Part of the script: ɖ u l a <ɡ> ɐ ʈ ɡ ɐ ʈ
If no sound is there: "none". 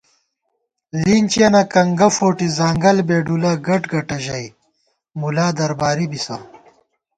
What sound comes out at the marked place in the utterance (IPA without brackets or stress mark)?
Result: ɡ